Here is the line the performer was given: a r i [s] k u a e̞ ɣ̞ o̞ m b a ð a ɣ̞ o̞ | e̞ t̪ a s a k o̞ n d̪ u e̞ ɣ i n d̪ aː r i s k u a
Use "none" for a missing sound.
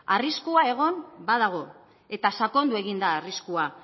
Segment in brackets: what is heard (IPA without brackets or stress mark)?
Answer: s